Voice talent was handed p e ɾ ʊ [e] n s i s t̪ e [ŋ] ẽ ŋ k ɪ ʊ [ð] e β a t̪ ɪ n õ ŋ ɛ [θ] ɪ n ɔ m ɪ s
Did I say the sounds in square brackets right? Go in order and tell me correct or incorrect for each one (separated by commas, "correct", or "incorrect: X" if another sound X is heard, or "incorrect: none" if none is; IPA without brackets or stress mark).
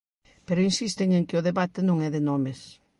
incorrect: i, correct, correct, incorrect: ð